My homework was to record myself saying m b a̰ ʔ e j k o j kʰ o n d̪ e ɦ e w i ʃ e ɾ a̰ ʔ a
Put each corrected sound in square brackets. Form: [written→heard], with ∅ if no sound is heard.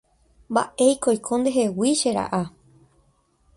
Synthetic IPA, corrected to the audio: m b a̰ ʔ e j k o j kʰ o n d̪ e ɦ e w i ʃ e ɾ a̰ ʔ a